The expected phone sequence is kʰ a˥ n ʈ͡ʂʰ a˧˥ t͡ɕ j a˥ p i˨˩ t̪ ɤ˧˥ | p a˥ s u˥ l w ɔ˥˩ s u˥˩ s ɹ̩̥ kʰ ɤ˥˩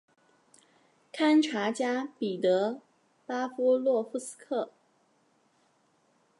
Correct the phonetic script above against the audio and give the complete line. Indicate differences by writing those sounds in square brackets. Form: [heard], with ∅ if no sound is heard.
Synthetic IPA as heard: kʰ a˥ n ʈ͡ʂʰ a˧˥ t͡ɕ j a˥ p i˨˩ t̪ ɤ˧˥ | p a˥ [f] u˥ l w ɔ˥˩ [f] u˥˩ s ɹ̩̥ kʰ ɤ˥˩